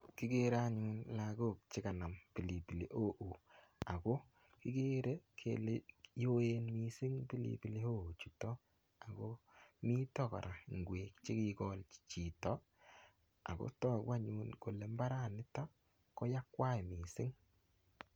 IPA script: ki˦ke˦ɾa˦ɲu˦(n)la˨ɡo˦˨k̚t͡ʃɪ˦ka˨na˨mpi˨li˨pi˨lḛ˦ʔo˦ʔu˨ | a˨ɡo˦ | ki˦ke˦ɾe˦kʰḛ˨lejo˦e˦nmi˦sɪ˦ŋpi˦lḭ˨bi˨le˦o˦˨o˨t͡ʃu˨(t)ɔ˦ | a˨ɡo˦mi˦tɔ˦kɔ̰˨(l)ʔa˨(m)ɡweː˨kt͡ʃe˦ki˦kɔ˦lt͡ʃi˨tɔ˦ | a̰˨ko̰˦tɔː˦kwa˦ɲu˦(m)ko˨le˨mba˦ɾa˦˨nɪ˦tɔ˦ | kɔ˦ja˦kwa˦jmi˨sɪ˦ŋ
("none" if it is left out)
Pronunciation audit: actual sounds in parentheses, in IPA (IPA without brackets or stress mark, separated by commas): n, t, ɾ, ŋ, n